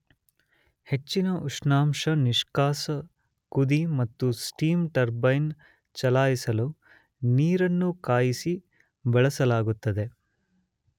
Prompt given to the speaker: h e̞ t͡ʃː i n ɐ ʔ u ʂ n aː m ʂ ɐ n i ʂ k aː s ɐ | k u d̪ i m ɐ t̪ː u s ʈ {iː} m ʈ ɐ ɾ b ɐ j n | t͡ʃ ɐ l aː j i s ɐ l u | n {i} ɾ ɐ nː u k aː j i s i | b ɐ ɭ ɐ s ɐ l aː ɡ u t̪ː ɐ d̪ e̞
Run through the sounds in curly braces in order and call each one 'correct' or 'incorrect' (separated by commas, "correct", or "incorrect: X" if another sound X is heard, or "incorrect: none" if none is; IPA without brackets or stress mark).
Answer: correct, incorrect: iː